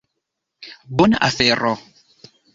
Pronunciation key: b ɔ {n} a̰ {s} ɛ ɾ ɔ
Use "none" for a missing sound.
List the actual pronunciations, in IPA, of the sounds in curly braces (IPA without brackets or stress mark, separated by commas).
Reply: n, f